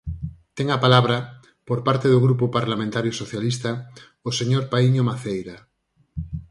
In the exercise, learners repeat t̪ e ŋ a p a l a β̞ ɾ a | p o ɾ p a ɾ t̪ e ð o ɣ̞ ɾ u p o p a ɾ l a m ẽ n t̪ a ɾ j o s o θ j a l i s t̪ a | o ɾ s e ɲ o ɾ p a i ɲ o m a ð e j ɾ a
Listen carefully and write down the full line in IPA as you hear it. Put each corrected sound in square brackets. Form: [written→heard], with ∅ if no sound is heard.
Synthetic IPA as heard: t̪ e ŋ a p a l a β̞ ɾ a | p o ɾ p a ɾ t̪ e ð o ɣ̞ ɾ u p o p a ɾ l a m ẽ n t̪ a ɾ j o s o θ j a l i s t̪ a | o [ɾ→∅] s e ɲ o ɾ p a i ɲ o m a [ð→θ] e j ɾ a

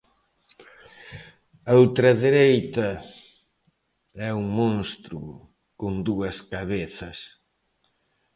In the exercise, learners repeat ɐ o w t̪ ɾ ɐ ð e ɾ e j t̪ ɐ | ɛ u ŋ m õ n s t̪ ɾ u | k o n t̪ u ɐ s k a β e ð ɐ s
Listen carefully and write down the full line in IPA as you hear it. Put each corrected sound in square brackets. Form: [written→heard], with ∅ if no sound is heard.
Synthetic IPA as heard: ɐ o w t̪ ɾ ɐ ð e ɾ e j t̪ ɐ | ɛ u ŋ m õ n s t̪ ɾ u | k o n [t̪→d̪] u ɐ s k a β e [ð→θ] ɐ s

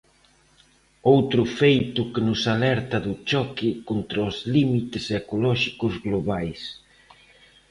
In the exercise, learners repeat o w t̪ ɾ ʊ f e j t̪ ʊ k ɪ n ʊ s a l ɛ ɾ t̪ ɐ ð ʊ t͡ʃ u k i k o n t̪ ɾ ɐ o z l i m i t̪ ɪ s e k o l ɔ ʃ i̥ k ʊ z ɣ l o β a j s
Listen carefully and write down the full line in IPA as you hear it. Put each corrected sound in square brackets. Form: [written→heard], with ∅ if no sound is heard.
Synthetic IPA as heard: o w t̪ ɾ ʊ f e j t̪ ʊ k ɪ n ʊ s a l ɛ ɾ t̪ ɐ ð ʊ t͡ʃ [u→ɔ] k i k o n t̪ ɾ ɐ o z l i m i t̪ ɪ s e k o l ɔ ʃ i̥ k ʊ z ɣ l o β a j s

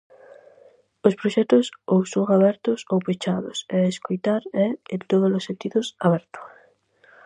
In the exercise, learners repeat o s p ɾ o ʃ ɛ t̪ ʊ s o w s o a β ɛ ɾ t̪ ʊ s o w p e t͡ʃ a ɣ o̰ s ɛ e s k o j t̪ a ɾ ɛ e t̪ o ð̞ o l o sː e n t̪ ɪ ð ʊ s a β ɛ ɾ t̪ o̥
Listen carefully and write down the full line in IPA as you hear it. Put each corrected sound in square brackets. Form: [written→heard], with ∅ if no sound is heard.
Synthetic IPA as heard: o s p ɾ o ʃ ɛ t̪ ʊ s o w s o a β ɛ ɾ t̪ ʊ s o w p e t͡ʃ a [ɣ→ð] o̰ s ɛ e s k o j t̪ a ɾ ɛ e t̪ o ð̞ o l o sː e n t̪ [ɪ→i] ð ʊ s a β ɛ ɾ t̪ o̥

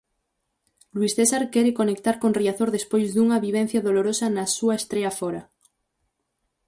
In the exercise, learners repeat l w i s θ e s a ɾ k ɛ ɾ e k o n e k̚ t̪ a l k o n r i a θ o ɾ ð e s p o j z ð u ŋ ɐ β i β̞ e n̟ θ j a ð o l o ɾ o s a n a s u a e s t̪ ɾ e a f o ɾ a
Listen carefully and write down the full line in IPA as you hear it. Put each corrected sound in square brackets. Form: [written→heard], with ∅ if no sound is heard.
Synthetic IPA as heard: l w i s θ e s a ɾ k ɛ ɾ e k o n e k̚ t̪ a [l→ɾ] k o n r i a θ o ɾ ð e s p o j z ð u ŋ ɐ β i β̞ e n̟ θ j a ð o l o ɾ o s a n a s u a e s t̪ ɾ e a f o ɾ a

